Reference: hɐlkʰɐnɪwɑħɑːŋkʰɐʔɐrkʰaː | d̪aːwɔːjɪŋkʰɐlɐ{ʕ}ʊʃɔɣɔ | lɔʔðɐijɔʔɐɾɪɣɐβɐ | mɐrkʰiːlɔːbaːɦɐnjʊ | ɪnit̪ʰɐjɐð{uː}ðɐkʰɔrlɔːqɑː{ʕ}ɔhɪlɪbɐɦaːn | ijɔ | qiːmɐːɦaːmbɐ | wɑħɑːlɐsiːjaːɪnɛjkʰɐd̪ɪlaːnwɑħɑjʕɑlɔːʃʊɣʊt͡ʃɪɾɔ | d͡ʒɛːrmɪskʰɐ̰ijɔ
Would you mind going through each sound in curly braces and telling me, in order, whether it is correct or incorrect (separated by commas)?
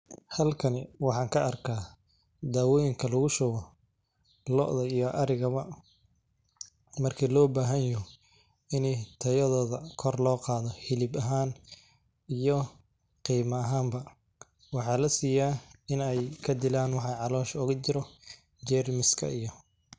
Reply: incorrect, incorrect, incorrect